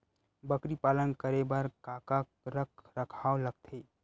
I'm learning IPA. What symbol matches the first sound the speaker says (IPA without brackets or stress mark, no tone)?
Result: b